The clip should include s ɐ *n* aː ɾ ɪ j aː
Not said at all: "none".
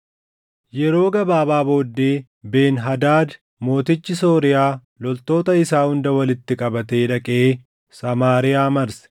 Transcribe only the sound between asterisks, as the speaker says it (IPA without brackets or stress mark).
m